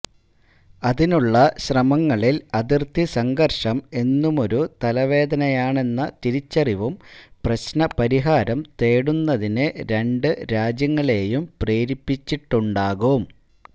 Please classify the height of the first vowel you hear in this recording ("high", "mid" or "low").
low